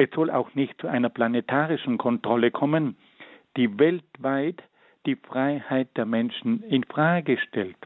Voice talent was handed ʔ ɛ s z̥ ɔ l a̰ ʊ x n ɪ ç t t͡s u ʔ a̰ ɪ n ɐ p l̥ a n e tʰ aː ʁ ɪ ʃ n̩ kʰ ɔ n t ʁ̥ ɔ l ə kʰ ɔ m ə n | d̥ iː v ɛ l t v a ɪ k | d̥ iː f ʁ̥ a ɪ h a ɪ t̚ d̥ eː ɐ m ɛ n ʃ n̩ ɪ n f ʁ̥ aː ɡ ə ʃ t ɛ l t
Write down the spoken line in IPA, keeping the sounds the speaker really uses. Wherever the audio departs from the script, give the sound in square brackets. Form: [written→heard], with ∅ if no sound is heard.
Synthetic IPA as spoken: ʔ ɛ s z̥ ɔ l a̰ ʊ x n ɪ ç t t͡s u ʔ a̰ ɪ n ɐ p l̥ a n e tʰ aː ʁ ɪ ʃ n̩ kʰ ɔ n t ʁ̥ ɔ l ə kʰ ɔ m ə n | d̥ iː v ɛ l t v a ɪ [k→t] | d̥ iː f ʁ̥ a ɪ h a ɪ t̚ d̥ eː ɐ m ɛ n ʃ n̩ ɪ n f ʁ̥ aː ɡ ə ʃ t ɛ l t